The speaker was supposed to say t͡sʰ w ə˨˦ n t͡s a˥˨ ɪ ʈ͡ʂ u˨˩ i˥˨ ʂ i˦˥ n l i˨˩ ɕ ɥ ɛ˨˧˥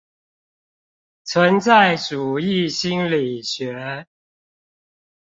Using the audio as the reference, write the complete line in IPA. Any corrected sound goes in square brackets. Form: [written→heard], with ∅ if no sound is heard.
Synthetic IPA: t͡sʰ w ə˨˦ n t͡s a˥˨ ɪ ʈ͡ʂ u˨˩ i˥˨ [ʂ→ɕ] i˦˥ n l i˨˩ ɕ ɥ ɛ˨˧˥

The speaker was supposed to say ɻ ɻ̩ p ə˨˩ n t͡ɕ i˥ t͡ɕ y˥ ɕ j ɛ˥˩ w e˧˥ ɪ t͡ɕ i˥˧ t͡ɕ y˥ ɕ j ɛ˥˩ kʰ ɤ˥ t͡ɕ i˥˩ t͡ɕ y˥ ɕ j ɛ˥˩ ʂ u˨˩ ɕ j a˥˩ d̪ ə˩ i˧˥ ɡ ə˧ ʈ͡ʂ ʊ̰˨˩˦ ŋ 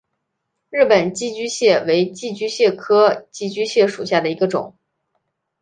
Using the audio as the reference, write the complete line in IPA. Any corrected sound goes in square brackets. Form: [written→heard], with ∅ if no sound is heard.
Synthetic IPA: ɻ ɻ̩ p ə˨˩ n t͡ɕ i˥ t͡ɕ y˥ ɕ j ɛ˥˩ w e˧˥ ɪ t͡ɕ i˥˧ t͡ɕ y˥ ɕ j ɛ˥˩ kʰ ɤ˥ t͡ɕ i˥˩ t͡ɕ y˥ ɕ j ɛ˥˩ ʂ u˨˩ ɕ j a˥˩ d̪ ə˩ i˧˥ ɡ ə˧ ʈ͡ʂ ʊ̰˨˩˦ ŋ

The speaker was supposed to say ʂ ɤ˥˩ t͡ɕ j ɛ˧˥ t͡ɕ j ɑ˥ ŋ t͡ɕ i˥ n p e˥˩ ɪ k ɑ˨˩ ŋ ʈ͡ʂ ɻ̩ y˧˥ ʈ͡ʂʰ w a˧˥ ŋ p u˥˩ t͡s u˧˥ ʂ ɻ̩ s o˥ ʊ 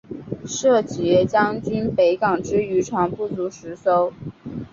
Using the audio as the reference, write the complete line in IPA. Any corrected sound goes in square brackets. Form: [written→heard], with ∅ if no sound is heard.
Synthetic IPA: ʂ ɤ˥˩ t͡ɕ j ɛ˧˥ t͡ɕ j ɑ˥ ŋ t͡ɕ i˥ n p [e˥˩→e˧˥] ɪ k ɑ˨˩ ŋ ʈ͡ʂ ɻ̩ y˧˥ ʈ͡ʂʰ w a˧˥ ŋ p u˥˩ t͡s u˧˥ ʂ ɻ̩ s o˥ ʊ

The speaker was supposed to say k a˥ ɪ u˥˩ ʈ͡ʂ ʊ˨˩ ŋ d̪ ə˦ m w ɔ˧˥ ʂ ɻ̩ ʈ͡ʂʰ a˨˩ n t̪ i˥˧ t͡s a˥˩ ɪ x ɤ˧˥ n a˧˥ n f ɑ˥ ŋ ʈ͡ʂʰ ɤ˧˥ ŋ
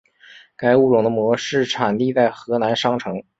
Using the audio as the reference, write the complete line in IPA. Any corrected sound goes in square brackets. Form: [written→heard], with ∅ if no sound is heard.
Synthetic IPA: k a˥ ɪ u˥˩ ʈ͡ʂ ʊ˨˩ ŋ d̪ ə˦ m w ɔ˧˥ ʂ ɻ̩ ʈ͡ʂʰ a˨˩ n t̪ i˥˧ t͡s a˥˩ ɪ x ɤ˧˥ n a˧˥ n [f→ʂ] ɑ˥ ŋ ʈ͡ʂʰ ɤ˧˥ ŋ

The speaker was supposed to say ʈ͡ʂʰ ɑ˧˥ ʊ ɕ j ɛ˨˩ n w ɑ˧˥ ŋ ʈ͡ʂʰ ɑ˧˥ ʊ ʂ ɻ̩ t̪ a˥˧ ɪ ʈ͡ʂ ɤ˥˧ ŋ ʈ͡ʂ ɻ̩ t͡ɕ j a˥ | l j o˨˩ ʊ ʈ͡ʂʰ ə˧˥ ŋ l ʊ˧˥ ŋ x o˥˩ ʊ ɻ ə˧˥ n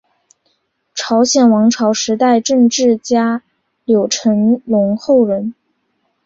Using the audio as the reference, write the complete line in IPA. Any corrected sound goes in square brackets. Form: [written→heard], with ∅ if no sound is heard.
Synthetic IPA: ʈ͡ʂʰ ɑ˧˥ ʊ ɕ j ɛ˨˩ n w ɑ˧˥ ŋ ʈ͡ʂʰ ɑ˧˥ ʊ ʂ ɻ̩ t̪ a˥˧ ɪ ʈ͡ʂ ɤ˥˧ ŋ ʈ͡ʂ ɻ̩ t͡ɕ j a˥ | l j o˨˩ ʊ ʈ͡ʂʰ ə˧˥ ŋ l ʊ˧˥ ŋ x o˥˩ ʊ ɻ ə˧˥ n

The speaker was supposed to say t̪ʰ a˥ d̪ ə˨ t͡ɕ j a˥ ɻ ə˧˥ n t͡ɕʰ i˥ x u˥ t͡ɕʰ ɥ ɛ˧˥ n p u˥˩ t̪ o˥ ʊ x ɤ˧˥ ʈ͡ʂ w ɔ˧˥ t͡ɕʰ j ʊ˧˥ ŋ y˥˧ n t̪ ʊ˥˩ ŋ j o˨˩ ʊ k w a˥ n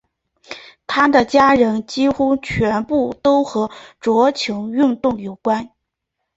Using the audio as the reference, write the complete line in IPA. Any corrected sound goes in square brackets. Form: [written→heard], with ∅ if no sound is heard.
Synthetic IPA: t̪ʰ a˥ d̪ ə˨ t͡ɕ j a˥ ɻ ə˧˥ n [t͡ɕʰ→t͡ɕ] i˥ x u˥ t͡ɕʰ ɥ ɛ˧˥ n p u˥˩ t̪ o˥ ʊ x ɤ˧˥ ʈ͡ʂ w ɔ˧˥ t͡ɕʰ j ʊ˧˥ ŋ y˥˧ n t̪ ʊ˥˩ ŋ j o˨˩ ʊ k w a˥ n

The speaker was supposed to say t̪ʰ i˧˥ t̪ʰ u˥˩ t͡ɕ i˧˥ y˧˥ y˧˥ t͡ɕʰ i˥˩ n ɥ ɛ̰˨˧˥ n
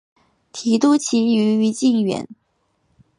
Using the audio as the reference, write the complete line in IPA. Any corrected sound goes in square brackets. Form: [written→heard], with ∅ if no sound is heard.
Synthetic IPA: t̪ʰ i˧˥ [t̪ʰ→t̪] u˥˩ [t͡ɕ→t͡ɕʰ] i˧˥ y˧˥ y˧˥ [t͡ɕʰ→t͡ɕ] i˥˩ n ɥ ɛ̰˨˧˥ n

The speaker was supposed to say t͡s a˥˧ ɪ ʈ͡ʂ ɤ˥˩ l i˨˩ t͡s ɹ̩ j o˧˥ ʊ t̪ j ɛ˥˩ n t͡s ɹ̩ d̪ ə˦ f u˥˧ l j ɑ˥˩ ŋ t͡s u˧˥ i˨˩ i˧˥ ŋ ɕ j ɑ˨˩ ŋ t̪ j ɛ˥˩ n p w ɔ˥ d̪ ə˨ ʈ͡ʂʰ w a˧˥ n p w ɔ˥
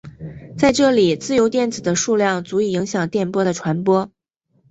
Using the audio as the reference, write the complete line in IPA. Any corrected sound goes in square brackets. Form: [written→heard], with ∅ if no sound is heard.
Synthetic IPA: t͡s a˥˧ ɪ ʈ͡ʂ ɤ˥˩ l i˨˩ t͡s ɹ̩ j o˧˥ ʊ t̪ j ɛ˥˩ n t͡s ɹ̩ d̪ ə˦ [f→ʂ] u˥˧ l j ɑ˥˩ ŋ t͡s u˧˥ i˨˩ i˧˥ ŋ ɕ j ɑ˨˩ ŋ t̪ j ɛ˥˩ n p w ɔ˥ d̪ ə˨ ʈ͡ʂʰ w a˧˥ n p w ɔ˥

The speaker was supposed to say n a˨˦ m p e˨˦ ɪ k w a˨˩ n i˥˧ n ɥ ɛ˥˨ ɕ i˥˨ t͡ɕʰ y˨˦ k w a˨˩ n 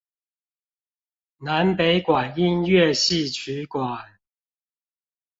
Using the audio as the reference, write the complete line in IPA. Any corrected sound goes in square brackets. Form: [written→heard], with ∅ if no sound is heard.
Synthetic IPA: n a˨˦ [m→n] p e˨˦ ɪ k w a˨˩ n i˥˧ n ɥ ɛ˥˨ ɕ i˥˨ t͡ɕʰ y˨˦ k w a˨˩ n

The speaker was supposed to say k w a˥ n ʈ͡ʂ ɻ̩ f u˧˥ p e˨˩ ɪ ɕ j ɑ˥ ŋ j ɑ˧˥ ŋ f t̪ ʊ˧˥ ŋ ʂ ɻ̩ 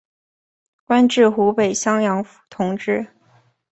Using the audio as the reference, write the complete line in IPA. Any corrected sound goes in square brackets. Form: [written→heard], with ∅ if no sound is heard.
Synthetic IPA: k w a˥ n ʈ͡ʂ ɻ̩ [f→x] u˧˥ p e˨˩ ɪ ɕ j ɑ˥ ŋ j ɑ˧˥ ŋ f [t̪→t̪ʰ] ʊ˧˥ ŋ [ʂ→ʈ͡ʂ] ɻ̩

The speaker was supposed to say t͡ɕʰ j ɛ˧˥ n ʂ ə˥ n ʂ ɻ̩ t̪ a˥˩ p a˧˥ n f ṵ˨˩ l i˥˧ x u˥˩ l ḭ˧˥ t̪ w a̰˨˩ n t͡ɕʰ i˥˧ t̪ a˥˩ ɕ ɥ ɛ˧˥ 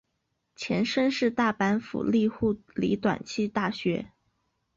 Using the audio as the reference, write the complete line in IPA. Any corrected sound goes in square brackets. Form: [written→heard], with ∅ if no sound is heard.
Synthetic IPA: t͡ɕʰ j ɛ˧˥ n ʂ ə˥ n ʂ ɻ̩ t̪ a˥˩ p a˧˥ n f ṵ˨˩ l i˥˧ x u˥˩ l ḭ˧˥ t̪ w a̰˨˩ n t͡ɕʰ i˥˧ t̪ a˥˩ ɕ ɥ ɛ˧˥

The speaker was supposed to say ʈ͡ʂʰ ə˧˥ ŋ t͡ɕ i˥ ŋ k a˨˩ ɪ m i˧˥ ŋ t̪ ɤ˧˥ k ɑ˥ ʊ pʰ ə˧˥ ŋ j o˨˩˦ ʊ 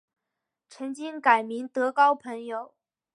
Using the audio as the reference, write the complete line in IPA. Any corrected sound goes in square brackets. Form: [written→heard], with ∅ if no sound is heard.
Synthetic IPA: ʈ͡ʂʰ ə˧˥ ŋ t͡ɕ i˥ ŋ k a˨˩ ɪ m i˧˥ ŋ t̪ ɤ˧˥ k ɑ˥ ʊ pʰ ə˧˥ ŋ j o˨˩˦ ʊ

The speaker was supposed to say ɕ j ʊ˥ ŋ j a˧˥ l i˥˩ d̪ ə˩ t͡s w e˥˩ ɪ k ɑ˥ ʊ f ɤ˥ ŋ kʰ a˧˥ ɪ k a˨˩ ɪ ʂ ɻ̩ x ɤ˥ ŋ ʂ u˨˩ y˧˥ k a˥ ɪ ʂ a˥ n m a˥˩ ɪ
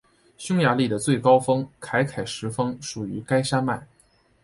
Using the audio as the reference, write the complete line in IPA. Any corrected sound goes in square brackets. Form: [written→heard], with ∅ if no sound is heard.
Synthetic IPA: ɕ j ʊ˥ ŋ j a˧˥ l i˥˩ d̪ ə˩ t͡s w e˥˩ ɪ k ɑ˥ ʊ f ɤ˥ ŋ kʰ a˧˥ ɪ [k→kʰ] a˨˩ ɪ ʂ ɻ̩ [x→f] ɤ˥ ŋ ʂ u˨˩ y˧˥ k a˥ ɪ ʂ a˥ n m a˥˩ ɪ

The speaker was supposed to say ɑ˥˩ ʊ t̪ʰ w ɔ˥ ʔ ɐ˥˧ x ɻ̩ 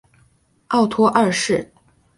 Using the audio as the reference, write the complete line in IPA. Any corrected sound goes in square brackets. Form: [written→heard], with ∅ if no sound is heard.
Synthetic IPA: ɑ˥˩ ʊ t̪ʰ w ɔ˥ ʔ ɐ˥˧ [x→ʂ] ɻ̩

